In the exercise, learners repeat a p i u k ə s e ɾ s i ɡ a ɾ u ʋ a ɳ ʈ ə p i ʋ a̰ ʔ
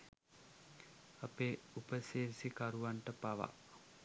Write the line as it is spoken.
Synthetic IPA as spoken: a p e u p ə s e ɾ s i k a ɾ u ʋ a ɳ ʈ ə p a ʋ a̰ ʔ